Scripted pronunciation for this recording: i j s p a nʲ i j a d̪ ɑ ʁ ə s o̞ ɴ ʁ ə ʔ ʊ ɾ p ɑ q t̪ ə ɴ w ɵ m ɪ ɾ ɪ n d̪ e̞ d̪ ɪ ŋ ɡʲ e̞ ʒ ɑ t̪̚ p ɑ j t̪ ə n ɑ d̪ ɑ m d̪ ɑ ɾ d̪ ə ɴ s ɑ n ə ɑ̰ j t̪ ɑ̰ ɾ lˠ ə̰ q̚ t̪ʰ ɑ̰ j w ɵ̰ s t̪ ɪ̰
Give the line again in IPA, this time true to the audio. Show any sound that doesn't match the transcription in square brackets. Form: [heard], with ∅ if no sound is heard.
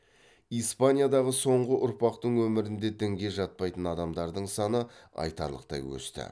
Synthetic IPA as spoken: i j s p a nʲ i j a d̪ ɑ ʁ ə s o̞ ɴ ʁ ə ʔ ʊ ɾ p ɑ q t̪ ə ɴ w ɵ m ɪ ɾ ɪ n d̪ e̞ d̪ ɪ ŋ ɡʲ e̞ ʒ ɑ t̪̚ p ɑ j t̪ ə n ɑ d̪ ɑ m d̪ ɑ ɾ d̪ ə ɴ s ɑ n ə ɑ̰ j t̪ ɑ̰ ɾ lˠ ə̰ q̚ [t̪] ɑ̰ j w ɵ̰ s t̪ ɪ̰

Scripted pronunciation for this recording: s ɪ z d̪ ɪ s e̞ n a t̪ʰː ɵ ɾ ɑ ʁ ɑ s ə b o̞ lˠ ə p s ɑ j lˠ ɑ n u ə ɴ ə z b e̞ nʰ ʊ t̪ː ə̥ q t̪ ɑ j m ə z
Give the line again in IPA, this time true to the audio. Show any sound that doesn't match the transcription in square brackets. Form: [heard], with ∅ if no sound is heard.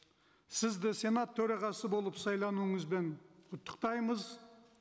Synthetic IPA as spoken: s ɪ z d̪ ɪ s e̞ n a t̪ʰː ɵ ɾ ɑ ʁ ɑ s ə b o̞ lˠ ə p s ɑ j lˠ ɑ n u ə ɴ ə z b e̞ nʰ ʊ t̪ː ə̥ q t̪ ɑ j m ə z

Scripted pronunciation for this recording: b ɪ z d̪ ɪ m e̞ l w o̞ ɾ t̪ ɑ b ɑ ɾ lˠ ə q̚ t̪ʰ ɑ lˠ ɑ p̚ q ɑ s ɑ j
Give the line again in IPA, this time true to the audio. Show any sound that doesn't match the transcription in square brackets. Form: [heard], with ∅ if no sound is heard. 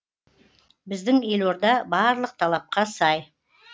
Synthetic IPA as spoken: b ɪ z d̪ ɪ [ŋ] e̞ l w o̞ ɾ [d̪] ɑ b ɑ ɾ lˠ ə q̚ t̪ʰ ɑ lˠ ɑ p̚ q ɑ s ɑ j

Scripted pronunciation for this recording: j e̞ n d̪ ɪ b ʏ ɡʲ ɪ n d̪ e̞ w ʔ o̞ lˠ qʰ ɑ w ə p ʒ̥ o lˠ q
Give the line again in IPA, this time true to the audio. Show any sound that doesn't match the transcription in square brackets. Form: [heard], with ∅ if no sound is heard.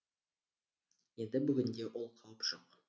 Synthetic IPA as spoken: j e̞ n d̪ ɪ b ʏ ɡʲ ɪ n d̪ e̞ w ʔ o̞ lˠ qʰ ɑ w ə p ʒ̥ o [∅] q

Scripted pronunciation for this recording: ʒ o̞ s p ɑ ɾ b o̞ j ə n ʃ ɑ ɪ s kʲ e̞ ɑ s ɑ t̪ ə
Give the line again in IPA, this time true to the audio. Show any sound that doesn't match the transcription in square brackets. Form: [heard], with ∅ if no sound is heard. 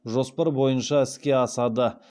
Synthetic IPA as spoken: ʒ o̞ s p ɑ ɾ b o̞ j ə n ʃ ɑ ɪ s kʲ e̞ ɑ s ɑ [d̪] ə

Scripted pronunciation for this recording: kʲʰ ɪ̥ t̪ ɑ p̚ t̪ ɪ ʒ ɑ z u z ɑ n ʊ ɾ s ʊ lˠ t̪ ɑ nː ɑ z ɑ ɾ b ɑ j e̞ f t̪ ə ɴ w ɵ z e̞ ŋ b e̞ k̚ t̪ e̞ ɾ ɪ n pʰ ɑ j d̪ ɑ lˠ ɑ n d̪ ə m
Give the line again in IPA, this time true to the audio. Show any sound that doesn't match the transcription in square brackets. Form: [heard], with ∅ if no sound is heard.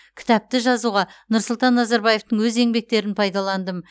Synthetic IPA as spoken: kʲʰ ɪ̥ t̪ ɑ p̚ t̪ ɪ ʒ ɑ z u [ʁ] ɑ n ʊ ɾ s ʊ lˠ t̪ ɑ nː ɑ z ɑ ɾ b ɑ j e̞ f t̪ ə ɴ w ɵ z e̞ ŋ b e̞ k̚ t̪ e̞ ɾ ɪ n pʰ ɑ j d̪ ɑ lˠ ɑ n d̪ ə m

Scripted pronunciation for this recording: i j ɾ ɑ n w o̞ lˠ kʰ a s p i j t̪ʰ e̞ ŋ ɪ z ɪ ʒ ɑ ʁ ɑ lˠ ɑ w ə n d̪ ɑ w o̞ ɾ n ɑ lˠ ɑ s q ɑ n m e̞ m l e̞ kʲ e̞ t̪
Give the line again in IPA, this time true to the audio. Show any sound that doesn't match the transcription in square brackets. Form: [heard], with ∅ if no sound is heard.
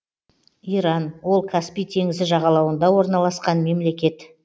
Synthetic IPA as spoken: i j ɾ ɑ n w o̞ lˠ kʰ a s p i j t̪ʰ e̞ ŋ ɪ z ɪ ʒ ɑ ʁ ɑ lˠ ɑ w ə n d̪ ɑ w o̞ ɾ n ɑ lˠ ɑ s q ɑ n m e̞ m l e̞ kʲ e̞ t̪

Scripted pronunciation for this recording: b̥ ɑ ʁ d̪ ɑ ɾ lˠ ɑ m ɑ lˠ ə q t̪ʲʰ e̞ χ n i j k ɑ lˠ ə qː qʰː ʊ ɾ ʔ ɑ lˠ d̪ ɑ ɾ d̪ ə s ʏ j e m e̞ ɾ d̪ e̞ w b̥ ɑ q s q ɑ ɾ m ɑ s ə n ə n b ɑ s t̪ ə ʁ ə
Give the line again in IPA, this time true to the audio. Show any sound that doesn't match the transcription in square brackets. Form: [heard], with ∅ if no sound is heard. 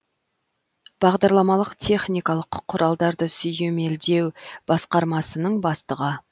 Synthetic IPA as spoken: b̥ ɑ ʁ d̪ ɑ ɾ lˠ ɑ m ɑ lˠ ə q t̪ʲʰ e̞ χ n i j k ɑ lˠ ə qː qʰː ʊ ɾ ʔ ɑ lˠ d̪ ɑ ɾ d̪ ə s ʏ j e m e̞ [l] d̪ e̞ w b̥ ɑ [∅] s q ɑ ɾ m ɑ s ə n ə [ɴ] b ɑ s t̪ ə ʁ ə

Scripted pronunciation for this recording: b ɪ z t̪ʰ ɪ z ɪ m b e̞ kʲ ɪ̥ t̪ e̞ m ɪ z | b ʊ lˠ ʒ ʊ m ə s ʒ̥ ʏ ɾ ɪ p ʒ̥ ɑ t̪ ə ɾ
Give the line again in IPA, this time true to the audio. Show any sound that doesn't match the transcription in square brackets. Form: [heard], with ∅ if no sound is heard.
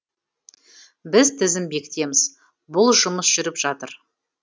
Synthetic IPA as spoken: b ɪ z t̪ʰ ɪ z ɪ m b e̞ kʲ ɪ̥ t̪ e̞ m ɪ z | b ʊ lˠ ʒ ʊ m ə s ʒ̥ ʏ ɾ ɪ p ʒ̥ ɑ t̪ ə ɾ

